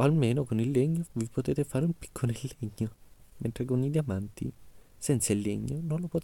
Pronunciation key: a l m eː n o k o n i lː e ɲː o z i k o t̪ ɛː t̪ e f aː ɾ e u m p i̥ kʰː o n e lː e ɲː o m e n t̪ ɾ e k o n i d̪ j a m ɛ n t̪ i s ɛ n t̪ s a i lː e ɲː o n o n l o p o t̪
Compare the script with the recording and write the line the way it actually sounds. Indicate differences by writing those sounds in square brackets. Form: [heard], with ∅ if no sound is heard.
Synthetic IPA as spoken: a l m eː n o k o n i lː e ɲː o [v] i [p] o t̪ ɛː t̪ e f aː ɾ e u m p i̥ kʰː o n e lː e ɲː o m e n t̪ ɾ e k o n i d̪ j a m [a] n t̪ i s ɛ n t̪ s a i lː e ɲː o n o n l o p o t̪